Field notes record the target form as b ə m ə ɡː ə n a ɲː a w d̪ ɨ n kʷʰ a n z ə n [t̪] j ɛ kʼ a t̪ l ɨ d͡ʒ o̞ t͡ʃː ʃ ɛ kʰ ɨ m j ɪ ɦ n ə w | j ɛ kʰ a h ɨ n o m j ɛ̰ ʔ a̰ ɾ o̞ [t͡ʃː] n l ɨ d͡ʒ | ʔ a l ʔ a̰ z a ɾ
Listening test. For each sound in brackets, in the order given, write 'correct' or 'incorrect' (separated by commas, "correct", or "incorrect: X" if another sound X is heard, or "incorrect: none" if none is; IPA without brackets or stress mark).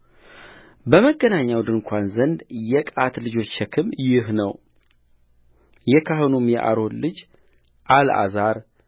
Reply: incorrect: d̪, incorrect: none